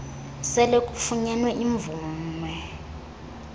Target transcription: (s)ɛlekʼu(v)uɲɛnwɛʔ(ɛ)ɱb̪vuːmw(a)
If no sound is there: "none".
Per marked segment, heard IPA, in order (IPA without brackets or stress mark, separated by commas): s, f, i, ɛ